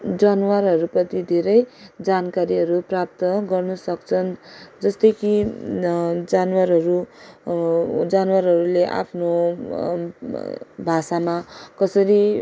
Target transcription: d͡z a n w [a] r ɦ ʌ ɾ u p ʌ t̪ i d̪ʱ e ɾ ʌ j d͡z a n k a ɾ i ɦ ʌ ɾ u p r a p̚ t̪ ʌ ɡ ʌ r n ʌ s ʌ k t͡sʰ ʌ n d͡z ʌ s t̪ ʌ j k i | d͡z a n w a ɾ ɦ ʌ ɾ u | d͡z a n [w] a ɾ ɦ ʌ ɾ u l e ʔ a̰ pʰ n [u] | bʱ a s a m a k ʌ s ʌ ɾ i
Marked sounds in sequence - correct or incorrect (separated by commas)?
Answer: correct, correct, incorrect